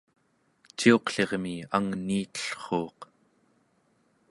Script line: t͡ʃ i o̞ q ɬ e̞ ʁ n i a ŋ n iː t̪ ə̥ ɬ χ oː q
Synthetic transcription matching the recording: t͡ʃ i o̞ q ɬ e̞ ʁ m i a ŋ n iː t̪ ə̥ ɬ χ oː q